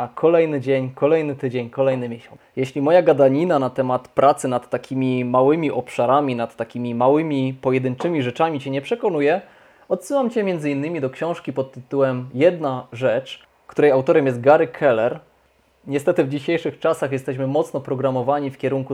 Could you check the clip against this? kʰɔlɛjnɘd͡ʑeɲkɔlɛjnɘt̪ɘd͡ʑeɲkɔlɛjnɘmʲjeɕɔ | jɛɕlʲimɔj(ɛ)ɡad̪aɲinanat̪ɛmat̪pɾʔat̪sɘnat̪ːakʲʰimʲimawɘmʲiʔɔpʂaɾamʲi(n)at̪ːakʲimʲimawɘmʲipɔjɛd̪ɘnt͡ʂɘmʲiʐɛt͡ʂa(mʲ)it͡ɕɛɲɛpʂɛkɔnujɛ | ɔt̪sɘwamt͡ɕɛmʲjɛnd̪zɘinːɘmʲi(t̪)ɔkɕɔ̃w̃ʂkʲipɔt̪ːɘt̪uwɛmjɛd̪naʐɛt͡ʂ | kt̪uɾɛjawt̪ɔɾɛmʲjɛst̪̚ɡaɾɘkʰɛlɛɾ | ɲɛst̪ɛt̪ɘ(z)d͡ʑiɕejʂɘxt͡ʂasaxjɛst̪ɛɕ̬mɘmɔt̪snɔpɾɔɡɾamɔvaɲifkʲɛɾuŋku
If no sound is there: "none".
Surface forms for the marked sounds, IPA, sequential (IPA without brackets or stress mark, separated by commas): a, n, mʲ, d̪, v